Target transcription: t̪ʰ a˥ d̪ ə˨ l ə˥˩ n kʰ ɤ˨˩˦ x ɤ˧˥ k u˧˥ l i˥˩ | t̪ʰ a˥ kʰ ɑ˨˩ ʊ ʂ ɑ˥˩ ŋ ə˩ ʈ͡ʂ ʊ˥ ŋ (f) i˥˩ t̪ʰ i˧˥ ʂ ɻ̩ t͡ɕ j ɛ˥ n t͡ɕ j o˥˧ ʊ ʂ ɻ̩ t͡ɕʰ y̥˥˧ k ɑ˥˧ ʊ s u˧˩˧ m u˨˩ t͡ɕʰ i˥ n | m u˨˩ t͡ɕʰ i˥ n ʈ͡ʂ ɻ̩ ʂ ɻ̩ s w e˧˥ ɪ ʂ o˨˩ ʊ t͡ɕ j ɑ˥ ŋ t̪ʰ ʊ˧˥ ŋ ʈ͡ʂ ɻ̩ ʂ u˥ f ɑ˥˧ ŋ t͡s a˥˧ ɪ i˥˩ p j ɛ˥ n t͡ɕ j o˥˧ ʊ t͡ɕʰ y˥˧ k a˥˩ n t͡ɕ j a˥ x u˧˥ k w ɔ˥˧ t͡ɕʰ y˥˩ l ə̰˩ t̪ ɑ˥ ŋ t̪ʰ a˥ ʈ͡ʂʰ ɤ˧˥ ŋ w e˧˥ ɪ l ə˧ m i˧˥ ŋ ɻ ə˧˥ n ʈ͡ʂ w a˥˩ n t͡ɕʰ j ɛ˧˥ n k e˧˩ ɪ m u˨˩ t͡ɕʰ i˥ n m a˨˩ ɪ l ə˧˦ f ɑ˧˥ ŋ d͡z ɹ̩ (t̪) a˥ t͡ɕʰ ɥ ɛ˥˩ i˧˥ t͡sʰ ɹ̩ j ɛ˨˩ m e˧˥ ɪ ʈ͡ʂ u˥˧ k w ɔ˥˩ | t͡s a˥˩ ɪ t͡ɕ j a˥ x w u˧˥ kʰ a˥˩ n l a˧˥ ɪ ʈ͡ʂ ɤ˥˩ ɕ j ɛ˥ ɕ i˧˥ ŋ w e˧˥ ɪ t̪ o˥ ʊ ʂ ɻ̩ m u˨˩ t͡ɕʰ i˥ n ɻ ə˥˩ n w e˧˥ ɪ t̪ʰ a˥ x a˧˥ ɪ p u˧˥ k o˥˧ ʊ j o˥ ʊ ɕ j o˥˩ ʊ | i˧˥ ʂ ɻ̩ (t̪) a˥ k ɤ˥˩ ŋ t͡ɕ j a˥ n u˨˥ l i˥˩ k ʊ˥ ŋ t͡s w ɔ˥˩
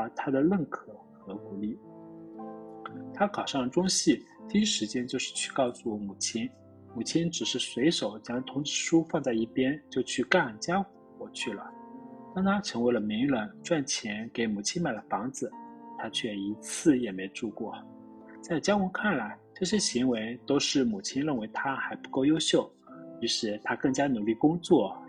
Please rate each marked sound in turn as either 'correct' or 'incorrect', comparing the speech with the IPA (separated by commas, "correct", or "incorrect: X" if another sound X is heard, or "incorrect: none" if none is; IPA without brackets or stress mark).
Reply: incorrect: ɕ, incorrect: t̪ʰ, incorrect: t̪ʰ